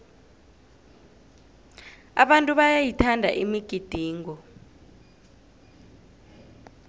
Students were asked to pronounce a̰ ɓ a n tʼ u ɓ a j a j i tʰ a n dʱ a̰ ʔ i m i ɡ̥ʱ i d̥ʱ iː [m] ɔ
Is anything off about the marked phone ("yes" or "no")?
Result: yes